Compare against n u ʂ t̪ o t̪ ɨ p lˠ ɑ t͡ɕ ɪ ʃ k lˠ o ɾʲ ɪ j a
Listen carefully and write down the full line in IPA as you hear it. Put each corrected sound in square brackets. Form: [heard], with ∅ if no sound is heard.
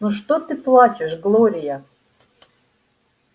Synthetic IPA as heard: n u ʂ t̪ o t̪ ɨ p lˠ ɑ t͡ɕ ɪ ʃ [ɡ] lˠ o ɾʲ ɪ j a